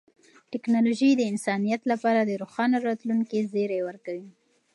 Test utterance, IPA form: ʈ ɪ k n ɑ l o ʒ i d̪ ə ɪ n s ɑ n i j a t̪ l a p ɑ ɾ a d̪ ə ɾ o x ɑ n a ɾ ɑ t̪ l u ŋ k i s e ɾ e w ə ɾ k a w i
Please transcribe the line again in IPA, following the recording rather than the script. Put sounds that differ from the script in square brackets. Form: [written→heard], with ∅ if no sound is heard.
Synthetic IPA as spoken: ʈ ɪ k n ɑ l o ʒ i d̪ ə ɪ n s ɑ n i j a t̪ l a p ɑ ɾ a d̪ ə ɾ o x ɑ n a ɾ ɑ t̪ l u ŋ k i [s→z] e ɾ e w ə ɾ k a w i